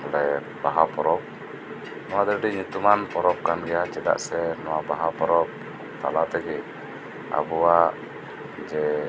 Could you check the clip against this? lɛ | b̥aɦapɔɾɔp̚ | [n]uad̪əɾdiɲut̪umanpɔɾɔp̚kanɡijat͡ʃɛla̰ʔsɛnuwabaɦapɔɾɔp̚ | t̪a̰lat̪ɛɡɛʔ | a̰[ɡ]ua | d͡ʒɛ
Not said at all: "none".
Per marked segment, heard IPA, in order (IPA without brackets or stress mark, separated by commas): n, b